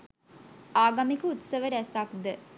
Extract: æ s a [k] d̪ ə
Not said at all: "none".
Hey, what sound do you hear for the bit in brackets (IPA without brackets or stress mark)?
k